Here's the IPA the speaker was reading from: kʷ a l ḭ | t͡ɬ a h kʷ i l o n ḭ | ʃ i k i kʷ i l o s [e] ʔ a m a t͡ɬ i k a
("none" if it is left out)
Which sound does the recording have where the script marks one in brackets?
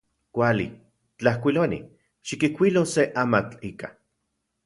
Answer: e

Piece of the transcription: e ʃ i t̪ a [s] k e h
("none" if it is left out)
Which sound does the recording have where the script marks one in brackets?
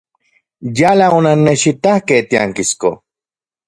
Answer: h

